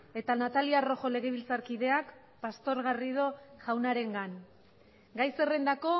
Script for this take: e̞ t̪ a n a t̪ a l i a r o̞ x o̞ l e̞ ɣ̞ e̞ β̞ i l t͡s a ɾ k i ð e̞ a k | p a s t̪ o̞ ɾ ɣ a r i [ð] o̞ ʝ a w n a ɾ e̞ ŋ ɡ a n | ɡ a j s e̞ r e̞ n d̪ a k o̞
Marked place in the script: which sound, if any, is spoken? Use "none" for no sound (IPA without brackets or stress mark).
ð